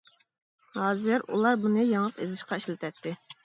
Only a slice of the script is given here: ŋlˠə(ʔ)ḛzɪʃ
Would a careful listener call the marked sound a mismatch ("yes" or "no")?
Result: yes